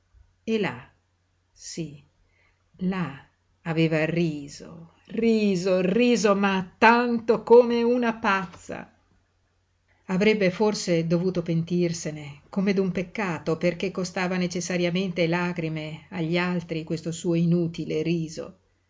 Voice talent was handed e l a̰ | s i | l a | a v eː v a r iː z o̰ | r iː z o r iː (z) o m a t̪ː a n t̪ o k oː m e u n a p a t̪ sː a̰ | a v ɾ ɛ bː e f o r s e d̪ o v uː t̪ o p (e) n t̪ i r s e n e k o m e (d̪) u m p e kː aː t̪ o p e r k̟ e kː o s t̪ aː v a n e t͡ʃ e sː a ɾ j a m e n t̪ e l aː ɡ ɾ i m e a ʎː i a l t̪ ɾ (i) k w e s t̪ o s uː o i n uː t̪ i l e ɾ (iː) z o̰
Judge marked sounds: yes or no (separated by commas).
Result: yes, yes, yes, yes, yes